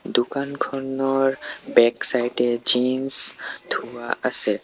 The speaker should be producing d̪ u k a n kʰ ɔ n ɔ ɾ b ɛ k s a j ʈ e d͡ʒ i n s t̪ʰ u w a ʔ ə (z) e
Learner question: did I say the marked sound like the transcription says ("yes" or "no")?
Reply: no